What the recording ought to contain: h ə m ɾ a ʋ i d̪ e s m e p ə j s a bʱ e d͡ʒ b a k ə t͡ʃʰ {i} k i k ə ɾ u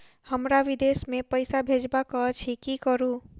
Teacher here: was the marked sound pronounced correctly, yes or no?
yes